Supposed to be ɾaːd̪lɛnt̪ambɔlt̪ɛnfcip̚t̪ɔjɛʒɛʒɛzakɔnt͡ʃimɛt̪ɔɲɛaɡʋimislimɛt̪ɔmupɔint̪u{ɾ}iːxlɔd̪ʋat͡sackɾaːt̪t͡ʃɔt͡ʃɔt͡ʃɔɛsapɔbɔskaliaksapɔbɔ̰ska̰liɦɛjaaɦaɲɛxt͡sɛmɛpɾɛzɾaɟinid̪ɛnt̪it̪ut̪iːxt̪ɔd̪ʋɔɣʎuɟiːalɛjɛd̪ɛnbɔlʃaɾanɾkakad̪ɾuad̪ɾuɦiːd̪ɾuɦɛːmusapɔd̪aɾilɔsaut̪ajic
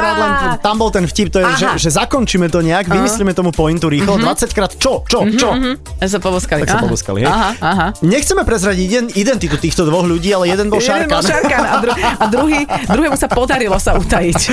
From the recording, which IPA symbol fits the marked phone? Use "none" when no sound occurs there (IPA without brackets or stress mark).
ɾ